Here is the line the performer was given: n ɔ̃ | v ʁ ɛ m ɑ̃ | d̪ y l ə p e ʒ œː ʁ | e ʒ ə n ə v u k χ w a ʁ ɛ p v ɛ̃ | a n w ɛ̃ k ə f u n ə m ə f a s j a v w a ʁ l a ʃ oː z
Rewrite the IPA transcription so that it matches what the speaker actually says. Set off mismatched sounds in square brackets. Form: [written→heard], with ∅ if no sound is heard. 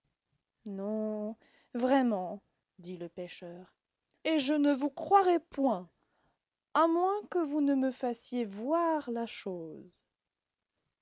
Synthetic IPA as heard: n ɔ̃ | v ʁ ɛ m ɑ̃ | d̪ [y→i] l ə p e [ʒ→ʃ] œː ʁ | e ʒ ə n ə v u k χ w a ʁ ɛ p [v→w] ɛ̃ | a [n→m] w ɛ̃ k ə [f→v] u n ə m ə f a s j [a→e] v w a ʁ l a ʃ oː z

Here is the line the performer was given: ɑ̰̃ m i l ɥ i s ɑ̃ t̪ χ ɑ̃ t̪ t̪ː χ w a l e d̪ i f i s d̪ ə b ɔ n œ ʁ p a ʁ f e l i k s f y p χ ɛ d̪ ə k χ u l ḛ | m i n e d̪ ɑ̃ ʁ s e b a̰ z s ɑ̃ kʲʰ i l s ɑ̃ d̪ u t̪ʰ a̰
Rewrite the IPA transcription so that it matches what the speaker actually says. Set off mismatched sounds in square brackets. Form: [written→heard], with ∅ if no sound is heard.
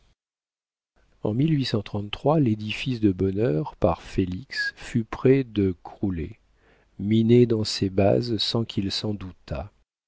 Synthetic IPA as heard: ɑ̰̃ m i l ɥ i s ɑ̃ t̪ χ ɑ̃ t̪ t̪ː χ w a l e d̪ i f i s d̪ ə b ɔ n œ ʁ p a ʁ f e l i k s f y p χ ɛ d̪ ə k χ u l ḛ | m i n e d̪ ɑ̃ [ʁ→∅] s e b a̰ z s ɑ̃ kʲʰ i l s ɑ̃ d̪ u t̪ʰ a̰

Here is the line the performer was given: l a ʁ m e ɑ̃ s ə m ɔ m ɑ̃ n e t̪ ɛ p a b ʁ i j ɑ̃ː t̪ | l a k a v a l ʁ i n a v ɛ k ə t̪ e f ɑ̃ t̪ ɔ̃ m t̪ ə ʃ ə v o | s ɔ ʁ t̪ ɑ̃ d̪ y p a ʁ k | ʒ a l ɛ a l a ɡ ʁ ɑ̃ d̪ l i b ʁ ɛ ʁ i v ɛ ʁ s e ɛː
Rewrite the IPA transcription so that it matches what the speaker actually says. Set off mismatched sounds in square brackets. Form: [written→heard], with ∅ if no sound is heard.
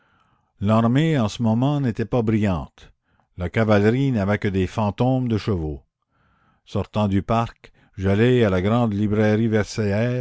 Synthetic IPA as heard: l a ʁ m e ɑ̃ s ə m ɔ m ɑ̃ n e t̪ ɛ p a b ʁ i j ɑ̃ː t̪ | l a k a v a l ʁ i n a v ɛ k ə [t̪→d̪] e f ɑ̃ t̪ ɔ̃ m [t̪→d̪] ə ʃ ə v o | s ɔ ʁ t̪ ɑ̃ d̪ y p a ʁ k | ʒ a l ɛ a l a ɡ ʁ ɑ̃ d̪ l i b ʁ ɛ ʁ i v ɛ ʁ s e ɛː

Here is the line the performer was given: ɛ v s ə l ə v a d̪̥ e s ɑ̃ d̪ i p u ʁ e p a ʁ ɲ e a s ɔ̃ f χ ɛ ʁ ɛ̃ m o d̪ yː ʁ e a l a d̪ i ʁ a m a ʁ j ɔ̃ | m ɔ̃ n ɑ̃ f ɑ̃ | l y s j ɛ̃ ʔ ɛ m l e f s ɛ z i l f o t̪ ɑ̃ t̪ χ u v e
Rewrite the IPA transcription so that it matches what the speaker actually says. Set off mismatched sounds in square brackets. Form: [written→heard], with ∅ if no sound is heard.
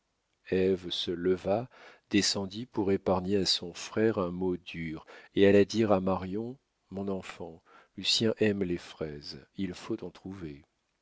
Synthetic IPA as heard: ɛ v s ə l ə v a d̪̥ e s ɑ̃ d̪ i p u ʁ e p a ʁ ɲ e a s ɔ̃ f χ ɛ ʁ ɛ̃ m o d̪ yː ʁ e a l a d̪ i ʁ a m a ʁ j ɔ̃ | m ɔ̃ n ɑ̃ f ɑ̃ | l y s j ɛ̃ ʔ ɛ m l e f [s→χ] ɛ z i l f o t̪ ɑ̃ t̪ χ u v e

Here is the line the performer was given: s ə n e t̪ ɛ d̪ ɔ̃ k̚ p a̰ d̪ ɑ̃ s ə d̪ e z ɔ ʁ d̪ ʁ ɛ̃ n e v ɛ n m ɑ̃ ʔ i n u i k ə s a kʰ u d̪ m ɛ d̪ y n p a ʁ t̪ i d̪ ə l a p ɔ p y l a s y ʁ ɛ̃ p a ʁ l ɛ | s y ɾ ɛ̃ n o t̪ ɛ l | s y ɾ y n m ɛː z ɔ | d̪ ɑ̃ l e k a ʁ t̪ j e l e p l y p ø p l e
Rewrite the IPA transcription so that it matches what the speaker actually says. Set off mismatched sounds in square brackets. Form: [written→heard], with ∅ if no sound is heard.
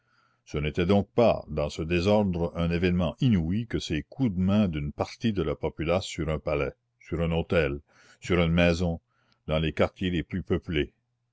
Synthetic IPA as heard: s ə n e t̪ ɛ d̪ ɔ̃ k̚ p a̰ d̪ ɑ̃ s ə d̪ e z ɔ ʁ d̪ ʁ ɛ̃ n e v ɛ n m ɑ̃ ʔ i n u i k ə s [a→e] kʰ u d̪ m [ɛ→ɛ̃] d̪ y n p a ʁ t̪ i d̪ ə l a p ɔ p y l a s y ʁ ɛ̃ p a [ʁ→∅] l ɛ | s y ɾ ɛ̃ n o t̪ ɛ l | s y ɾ y n m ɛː z [ɔ→ɔ̃] | d̪ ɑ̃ l e k a ʁ t̪ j e l e p l y p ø p l e

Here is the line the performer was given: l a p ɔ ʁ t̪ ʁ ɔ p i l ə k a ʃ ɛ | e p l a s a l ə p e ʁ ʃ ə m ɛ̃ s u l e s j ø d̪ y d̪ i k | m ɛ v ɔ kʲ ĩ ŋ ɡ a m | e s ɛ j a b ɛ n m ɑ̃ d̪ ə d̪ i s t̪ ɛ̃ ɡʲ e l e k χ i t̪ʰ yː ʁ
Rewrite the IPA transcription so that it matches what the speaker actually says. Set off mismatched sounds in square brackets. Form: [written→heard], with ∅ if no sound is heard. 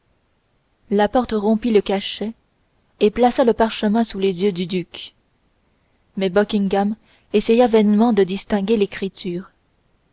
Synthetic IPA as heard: l a p ɔ ʁ t̪ ʁ [ɔ→ɔ̃] p i l ə k a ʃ ɛ | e p l a s a l ə p [e→a] ʁ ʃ ə m ɛ̃ s u l e [s→z] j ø d̪ y d̪ [i→y] k | m ɛ [v→b] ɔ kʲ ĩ ŋ ɡ a m | e s ɛ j a [b→v] ɛ n m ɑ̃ d̪ ə d̪ i s t̪ ɛ̃ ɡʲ e l e k χ i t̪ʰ yː ʁ

